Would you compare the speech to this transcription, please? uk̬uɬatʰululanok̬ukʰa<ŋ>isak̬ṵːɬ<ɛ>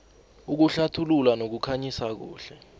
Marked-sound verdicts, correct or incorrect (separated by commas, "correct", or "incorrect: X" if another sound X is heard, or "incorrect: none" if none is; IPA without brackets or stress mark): incorrect: ɲ, correct